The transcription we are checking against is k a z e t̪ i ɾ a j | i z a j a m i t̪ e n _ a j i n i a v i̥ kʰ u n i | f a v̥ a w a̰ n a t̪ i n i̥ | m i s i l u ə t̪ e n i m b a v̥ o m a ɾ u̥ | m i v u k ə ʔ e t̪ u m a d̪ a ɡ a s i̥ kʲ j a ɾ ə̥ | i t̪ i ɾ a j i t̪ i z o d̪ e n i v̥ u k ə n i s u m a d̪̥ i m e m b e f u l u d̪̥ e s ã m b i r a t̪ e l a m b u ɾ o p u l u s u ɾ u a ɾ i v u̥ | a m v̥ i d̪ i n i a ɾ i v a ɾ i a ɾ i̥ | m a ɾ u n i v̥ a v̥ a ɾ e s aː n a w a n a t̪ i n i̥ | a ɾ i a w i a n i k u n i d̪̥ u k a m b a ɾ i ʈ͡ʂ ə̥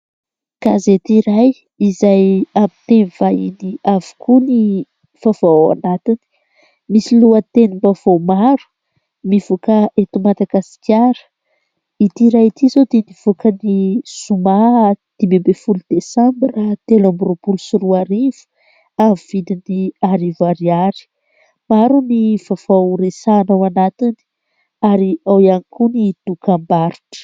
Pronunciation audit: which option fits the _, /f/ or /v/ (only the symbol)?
v